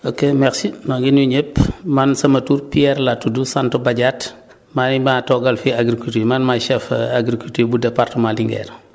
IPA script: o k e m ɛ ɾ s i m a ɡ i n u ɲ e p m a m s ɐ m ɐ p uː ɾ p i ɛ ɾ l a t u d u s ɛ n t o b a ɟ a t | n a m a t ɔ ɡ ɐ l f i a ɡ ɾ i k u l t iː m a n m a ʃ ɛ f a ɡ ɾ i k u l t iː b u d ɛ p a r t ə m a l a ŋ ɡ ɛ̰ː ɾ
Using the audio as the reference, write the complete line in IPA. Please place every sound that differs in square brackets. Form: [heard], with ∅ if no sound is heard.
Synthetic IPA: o k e m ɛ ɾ s i m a ɡ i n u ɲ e p m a [n] s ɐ m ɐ [t] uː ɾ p i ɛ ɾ l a t u d u s [a] n t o b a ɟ a t | [m] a m a t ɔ ɡ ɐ l f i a ɡ ɾ i k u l t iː m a n m a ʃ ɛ f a ɡ ɾ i k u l t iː b u d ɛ p a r t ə m a l [i] ŋ ɡ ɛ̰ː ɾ